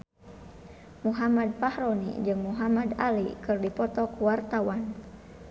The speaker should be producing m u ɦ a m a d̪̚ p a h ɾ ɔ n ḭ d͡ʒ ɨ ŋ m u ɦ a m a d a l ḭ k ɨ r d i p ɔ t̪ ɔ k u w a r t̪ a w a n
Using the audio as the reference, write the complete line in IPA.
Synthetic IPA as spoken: m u ɦ a m a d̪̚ p a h ɾ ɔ n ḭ d͡ʒ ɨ ŋ m u ɦ a m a d a l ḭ k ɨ r d i p ɔ t̪ ɔ k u w a r t̪ a w a n